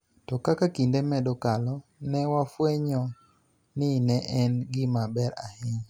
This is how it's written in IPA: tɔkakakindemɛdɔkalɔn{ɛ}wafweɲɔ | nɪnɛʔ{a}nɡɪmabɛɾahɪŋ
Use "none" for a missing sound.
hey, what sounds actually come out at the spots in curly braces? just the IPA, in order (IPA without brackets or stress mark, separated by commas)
ɛ, ɛ